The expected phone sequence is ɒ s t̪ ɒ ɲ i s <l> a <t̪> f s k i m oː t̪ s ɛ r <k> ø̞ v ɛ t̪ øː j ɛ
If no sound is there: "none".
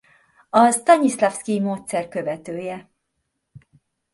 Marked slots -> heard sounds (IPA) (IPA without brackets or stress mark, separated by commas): l, none, k